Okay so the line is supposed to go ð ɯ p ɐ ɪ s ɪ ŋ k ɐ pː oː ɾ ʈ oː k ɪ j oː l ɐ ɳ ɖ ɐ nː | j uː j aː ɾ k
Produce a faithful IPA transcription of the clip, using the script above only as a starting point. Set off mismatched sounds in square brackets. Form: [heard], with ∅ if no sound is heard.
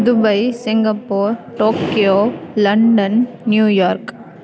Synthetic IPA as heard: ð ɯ [b] ɐ ɪ s ɪ ŋ [ɡ] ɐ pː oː ɾ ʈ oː k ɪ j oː l ɐ ɳ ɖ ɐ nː | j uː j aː ɾ k

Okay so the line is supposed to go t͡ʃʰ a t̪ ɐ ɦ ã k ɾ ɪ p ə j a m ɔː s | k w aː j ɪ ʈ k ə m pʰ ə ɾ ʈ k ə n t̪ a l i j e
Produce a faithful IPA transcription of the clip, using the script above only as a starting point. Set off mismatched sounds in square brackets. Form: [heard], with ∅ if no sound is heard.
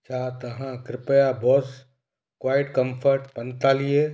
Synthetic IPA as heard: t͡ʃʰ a t̪ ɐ ɦ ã k ɾ ɪ p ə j a [b] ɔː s | k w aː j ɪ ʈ k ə m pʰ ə ɾ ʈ [p] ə n t̪ a l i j e

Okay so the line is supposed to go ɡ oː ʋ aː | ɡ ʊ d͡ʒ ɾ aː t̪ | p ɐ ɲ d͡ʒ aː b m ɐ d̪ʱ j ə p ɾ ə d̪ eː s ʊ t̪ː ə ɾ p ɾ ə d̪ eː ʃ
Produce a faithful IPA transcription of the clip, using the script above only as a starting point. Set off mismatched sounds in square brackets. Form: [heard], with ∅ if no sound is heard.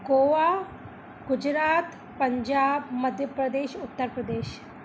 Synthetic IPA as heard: ɡ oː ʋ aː | ɡ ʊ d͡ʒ ɾ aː t̪ | p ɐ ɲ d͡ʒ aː b m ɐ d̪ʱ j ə p ɾ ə d̪ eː [ʃ] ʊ t̪ː ə ɾ p ɾ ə d̪ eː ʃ

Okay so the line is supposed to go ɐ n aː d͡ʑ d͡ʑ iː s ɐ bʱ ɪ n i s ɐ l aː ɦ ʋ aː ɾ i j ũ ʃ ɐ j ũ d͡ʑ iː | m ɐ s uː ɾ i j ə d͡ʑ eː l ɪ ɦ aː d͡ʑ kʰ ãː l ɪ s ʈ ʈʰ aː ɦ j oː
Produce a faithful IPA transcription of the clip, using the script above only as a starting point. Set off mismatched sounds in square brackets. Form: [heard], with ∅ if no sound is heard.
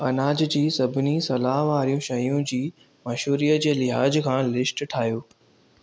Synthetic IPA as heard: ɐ n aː d͡ʑ d͡ʑ iː s ɐ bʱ ɪ n i s ɐ l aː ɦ ʋ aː ɾ i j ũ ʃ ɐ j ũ d͡ʑ iː | m ɐ [ʃ] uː ɾ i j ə d͡ʑ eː l ɪ ɦ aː d͡ʑ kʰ ãː l ɪ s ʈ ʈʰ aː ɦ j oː

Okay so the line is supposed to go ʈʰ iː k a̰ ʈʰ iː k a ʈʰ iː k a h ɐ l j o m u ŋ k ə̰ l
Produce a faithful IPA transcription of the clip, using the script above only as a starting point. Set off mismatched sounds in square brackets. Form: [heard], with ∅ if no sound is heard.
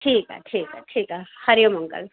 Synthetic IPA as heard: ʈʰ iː k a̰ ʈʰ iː k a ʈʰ iː k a h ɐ [ɾ] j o m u ŋ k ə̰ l

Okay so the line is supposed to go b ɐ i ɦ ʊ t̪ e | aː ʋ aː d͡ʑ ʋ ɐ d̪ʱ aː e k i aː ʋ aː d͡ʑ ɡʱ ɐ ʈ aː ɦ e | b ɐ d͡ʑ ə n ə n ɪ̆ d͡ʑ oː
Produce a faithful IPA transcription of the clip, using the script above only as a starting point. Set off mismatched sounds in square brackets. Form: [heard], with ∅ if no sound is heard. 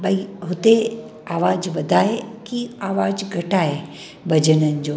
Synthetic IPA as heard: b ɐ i ɦ ʊ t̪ e | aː ʋ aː d͡ʑ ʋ ɐ d̪ʱ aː e k i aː ʋ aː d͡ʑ ɡʱ ɐ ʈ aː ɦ e | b ɐ d͡ʑ ə n ə n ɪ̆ d͡ʑ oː

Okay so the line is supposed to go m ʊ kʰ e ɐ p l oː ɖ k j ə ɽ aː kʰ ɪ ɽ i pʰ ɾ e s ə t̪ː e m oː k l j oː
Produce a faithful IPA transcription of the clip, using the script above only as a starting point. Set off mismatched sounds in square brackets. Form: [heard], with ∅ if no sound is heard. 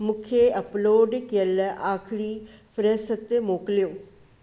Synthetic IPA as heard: m ʊ kʰ e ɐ p l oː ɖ k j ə [l] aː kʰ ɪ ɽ i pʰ ɾ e s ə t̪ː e m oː k l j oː

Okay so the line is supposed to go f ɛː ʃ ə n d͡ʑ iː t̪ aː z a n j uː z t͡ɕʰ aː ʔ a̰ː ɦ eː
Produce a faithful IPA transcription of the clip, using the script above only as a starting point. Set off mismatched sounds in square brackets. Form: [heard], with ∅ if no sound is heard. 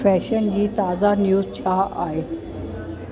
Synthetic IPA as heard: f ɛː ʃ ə n d͡ʑ iː t̪ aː z a n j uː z t͡ɕʰ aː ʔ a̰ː ɦ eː

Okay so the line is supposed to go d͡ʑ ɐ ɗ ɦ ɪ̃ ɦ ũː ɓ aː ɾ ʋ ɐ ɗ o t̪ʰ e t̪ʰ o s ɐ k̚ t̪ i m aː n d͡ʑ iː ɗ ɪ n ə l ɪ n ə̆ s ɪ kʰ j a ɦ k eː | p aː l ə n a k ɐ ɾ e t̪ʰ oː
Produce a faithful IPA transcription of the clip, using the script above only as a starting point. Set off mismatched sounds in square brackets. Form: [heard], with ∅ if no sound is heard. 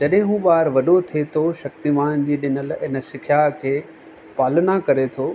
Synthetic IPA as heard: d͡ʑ ɐ ɗ ɦ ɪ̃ ɦ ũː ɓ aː ɾ ʋ ɐ ɗ o t̪ʰ e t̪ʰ o [ʃ] ɐ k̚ t̪ i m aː n d͡ʑ iː ɗ ɪ n ə l ɪ n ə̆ s ɪ kʰ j a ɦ [kʰ] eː | p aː l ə n a k ɐ ɾ e t̪ʰ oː

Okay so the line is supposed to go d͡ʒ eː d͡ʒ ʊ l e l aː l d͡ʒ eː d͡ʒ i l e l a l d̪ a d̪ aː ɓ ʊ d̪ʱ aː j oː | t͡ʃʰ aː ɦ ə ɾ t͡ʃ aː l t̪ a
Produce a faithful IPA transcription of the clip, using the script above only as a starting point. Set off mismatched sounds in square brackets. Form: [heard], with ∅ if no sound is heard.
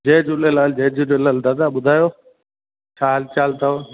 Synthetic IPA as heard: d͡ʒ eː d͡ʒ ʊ l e l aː l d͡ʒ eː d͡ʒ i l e l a l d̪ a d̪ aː ɓ ʊ d̪ʱ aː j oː | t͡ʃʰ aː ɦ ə [l] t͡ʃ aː l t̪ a

